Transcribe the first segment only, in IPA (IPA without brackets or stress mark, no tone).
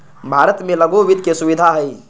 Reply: bʱ